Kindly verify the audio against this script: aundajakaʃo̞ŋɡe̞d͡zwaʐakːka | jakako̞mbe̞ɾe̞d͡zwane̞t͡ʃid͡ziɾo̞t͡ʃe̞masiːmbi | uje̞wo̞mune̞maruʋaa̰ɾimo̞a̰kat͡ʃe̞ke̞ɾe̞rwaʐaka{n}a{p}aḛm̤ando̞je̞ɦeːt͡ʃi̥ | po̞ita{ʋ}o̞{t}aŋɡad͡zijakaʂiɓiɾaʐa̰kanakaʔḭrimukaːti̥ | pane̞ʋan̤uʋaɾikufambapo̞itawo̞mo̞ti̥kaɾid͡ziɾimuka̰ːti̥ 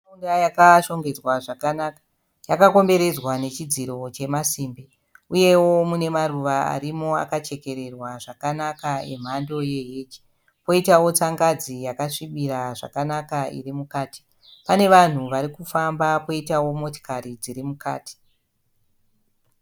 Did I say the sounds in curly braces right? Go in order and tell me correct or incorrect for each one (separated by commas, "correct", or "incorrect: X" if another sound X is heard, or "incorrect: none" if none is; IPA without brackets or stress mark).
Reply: correct, incorrect: k, incorrect: w, incorrect: t͡s